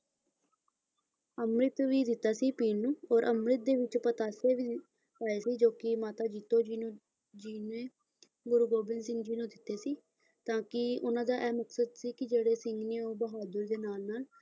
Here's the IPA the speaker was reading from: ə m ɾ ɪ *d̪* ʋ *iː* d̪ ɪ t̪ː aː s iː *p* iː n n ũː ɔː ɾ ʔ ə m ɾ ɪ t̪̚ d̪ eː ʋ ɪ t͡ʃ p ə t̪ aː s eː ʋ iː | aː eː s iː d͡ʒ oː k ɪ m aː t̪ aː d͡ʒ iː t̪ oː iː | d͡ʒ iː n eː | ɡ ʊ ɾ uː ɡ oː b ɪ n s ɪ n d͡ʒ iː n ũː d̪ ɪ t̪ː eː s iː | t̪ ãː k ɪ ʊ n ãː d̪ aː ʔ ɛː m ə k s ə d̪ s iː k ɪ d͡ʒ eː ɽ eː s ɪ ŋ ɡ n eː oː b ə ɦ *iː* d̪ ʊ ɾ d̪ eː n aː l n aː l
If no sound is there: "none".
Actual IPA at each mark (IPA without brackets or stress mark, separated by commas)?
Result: t̪, iː, p, aː